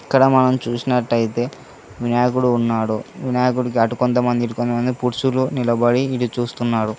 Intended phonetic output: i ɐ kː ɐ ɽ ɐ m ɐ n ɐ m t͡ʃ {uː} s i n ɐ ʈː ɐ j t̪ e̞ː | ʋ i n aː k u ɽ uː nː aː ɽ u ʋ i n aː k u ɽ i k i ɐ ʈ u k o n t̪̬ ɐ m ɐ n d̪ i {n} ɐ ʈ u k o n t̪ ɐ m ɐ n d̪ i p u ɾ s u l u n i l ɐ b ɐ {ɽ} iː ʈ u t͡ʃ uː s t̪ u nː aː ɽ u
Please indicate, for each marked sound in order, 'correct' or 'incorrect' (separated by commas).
correct, incorrect, correct